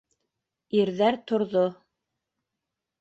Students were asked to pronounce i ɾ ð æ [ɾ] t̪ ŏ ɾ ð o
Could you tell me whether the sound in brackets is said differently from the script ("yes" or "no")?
no